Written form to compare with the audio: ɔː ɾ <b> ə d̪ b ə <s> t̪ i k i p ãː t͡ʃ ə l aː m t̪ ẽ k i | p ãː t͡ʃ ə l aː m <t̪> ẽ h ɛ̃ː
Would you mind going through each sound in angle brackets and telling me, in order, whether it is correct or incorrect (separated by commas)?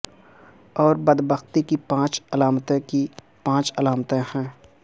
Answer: correct, incorrect, correct